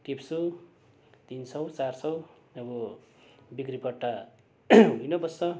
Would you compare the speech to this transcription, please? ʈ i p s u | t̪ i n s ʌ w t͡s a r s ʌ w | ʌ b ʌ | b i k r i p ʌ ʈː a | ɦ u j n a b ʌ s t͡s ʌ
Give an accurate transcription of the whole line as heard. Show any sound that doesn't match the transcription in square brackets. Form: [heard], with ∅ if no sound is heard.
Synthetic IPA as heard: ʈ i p s u | t̪ i n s ʌ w t͡s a r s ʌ w | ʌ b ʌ | b i k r i p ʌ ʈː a | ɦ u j n [ʌ] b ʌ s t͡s ʌ

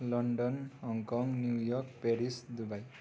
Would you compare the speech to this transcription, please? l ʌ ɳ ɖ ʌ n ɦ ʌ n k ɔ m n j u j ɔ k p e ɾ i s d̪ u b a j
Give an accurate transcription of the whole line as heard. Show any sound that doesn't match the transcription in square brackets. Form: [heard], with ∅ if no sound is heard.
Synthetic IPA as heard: l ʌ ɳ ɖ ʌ n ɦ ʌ [ŋ] k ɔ [ŋ] n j u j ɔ k p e ɾ i s d̪ u b a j

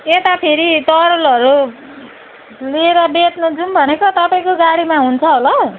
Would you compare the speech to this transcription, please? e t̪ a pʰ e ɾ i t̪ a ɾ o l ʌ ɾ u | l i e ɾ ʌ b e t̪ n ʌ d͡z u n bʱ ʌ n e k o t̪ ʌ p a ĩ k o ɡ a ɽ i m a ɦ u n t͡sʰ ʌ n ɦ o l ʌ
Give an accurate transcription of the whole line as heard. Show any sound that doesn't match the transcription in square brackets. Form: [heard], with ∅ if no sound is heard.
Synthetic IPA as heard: e t̪ a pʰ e ɾ i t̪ [ʌ] ɾ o l ʌ ɾ u | l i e ɾ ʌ b e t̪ n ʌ d͡z u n bʱ ʌ n e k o t̪ ʌ p a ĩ k o ɡ a ɽ i m a ɦ u n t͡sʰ ʌ [∅] ɦ o l ʌ

